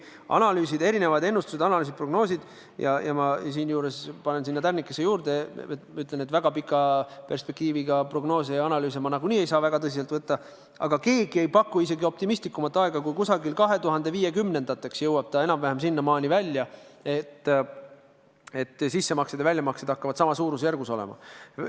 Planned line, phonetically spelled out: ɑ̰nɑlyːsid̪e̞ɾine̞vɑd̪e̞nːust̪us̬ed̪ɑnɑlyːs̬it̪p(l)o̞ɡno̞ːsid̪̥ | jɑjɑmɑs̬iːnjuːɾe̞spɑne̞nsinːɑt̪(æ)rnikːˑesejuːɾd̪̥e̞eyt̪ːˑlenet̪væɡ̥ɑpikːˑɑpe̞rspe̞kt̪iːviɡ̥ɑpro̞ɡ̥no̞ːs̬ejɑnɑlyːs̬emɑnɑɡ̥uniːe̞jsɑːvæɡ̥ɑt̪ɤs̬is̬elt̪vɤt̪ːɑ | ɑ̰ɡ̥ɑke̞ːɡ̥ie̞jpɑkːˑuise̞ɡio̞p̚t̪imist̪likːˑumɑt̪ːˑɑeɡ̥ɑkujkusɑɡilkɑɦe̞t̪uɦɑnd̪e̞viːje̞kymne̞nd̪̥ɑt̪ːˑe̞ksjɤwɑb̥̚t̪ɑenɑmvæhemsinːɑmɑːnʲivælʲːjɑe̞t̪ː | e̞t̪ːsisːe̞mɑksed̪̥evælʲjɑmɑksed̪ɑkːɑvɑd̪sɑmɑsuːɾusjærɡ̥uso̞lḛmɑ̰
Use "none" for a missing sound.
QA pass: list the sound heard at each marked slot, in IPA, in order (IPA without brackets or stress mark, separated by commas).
r, æ